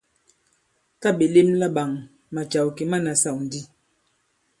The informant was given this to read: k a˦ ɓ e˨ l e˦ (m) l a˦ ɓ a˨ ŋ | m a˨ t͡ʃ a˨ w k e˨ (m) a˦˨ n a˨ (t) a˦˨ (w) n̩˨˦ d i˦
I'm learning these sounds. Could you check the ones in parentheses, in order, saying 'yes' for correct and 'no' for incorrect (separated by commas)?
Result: yes, yes, no, yes